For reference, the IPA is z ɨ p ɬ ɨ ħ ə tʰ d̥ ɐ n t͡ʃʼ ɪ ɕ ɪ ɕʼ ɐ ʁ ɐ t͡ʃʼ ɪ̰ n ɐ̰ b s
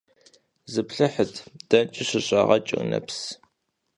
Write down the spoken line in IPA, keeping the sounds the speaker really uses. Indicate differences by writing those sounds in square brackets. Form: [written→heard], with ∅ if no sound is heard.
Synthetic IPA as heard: z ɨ p ɬ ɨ ħ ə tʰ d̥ ɐ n t͡ʃʼ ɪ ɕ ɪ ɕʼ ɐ ʁ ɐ t͡ʃʼ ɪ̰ n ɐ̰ [b→p] s